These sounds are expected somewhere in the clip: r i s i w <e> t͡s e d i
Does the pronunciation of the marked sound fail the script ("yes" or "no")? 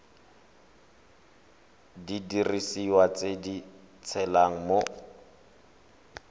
yes